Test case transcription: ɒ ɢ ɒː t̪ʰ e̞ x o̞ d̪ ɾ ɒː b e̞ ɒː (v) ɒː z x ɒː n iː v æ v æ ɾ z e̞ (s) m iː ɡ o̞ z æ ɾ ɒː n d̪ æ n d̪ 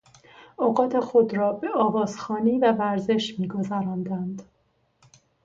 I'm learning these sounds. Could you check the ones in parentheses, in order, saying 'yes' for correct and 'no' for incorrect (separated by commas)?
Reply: yes, no